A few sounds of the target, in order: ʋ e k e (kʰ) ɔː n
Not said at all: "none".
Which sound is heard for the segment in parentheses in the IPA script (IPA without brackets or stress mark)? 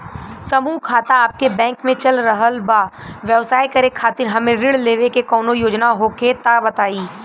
k